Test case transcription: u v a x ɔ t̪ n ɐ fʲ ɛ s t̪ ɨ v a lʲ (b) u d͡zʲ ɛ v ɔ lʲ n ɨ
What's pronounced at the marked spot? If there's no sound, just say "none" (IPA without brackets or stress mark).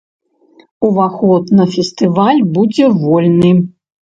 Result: b